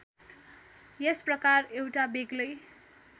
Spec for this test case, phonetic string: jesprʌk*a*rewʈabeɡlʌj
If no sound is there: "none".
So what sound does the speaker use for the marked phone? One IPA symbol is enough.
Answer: a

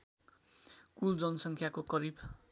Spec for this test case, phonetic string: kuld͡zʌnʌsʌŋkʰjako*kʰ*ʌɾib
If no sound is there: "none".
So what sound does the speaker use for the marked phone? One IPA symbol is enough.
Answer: k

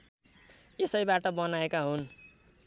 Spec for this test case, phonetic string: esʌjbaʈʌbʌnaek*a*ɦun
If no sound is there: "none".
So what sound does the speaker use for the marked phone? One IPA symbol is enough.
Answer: a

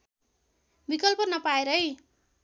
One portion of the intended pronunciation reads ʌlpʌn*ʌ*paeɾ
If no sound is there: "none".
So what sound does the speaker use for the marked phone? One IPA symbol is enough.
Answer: ʌ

